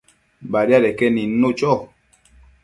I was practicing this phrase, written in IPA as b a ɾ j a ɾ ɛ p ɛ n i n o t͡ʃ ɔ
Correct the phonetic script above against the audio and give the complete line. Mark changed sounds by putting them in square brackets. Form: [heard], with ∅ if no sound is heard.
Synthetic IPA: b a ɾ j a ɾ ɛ [k] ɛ n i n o t͡ʃ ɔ

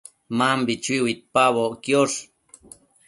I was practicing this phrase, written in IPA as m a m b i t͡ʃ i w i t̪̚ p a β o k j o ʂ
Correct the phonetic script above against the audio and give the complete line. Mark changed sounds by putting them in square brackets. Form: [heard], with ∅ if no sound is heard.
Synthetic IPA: m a m b i t͡ʃ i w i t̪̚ p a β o k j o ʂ

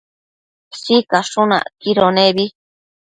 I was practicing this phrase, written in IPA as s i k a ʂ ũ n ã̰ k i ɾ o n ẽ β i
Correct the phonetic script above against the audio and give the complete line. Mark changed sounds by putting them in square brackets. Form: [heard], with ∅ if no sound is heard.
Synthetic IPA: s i k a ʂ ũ n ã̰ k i ɾ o n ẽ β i

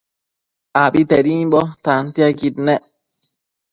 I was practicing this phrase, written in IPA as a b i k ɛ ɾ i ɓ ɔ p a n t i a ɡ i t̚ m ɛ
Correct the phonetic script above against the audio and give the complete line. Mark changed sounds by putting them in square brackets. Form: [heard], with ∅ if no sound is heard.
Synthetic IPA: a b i [t] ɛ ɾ i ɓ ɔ [t] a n t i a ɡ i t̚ [n] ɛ

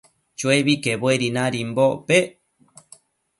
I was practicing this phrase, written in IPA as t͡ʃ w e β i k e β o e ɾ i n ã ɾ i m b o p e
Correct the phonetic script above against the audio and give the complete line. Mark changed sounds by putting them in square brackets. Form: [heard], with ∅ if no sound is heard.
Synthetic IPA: t͡ʃ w e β i k e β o e ɾ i n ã ɾ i m b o p e

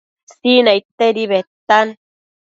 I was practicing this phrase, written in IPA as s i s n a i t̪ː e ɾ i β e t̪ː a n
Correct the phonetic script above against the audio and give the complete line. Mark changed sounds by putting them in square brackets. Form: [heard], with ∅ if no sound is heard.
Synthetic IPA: s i [∅] n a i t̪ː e ɾ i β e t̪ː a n

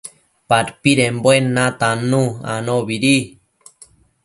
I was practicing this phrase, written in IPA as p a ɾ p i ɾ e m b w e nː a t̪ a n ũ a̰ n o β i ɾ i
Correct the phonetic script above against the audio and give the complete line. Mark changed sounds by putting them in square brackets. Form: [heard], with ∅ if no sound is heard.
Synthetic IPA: p a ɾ p i ɾ e m b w e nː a t̪ a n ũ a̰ n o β i ɾ i

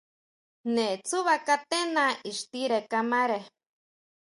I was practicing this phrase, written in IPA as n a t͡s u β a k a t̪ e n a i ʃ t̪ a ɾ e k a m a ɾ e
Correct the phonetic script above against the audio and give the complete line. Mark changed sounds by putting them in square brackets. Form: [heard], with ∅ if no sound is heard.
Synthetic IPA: n [e] t͡s u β a k a t̪ e n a i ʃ t̪ [i] ɾ e k a m a ɾ e

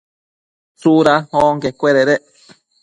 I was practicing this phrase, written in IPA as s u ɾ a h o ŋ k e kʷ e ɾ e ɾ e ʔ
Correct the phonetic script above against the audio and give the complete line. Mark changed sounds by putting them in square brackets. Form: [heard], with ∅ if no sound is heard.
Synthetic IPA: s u ɾ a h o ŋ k e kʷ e ɾ e ɾ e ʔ

